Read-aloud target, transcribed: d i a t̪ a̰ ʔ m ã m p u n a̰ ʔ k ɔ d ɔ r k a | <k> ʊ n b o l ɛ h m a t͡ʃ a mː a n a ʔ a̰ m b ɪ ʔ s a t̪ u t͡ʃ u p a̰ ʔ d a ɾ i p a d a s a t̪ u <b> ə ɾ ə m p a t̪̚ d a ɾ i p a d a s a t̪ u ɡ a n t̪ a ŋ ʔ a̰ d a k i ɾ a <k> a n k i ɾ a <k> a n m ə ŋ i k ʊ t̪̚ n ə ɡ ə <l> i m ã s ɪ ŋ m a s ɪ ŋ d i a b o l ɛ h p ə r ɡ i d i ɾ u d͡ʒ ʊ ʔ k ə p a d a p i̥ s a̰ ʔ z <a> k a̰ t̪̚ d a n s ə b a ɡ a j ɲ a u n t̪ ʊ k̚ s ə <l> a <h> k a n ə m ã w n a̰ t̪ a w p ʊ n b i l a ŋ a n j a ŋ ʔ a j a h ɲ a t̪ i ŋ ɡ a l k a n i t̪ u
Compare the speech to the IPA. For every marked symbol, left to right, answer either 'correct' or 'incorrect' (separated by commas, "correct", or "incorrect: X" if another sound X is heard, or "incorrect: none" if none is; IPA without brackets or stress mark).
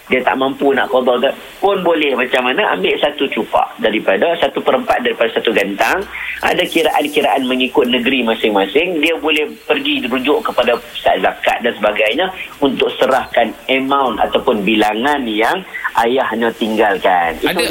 incorrect: p, incorrect: p, incorrect: ʔ, incorrect: ʔ, incorrect: ɾ, correct, incorrect: ɾ, correct